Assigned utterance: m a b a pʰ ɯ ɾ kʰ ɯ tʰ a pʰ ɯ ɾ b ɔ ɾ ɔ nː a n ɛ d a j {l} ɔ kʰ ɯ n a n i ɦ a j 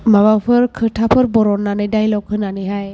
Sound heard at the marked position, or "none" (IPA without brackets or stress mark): l